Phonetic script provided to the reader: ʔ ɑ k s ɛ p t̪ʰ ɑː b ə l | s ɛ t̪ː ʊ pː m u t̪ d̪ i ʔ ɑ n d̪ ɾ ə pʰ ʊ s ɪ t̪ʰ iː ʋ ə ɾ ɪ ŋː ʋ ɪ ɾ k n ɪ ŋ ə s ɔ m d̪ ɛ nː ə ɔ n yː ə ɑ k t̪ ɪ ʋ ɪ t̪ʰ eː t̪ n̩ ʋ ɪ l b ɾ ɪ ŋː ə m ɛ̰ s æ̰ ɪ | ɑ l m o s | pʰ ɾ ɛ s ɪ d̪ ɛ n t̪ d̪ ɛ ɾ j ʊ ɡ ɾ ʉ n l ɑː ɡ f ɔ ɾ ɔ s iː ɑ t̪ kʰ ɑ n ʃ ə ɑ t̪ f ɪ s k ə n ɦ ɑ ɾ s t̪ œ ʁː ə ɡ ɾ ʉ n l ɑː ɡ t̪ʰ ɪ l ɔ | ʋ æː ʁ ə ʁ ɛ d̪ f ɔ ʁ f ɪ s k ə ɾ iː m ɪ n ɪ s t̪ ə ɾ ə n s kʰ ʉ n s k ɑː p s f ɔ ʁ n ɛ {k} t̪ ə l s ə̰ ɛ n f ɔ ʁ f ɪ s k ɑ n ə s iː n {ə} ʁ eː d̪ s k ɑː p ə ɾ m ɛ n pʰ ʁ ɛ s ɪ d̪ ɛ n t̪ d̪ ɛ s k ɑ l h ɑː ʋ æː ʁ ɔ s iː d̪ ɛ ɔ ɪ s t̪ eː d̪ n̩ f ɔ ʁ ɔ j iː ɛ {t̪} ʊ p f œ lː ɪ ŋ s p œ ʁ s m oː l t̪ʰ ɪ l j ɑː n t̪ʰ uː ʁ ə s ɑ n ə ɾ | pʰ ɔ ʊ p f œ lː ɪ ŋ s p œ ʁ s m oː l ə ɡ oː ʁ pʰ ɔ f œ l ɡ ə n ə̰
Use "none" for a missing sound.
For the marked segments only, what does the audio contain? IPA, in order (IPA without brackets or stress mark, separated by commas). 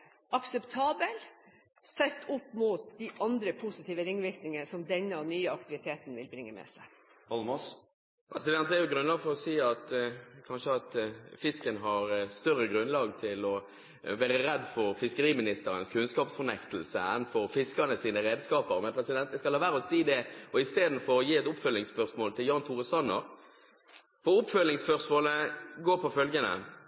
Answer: k, ə, t̪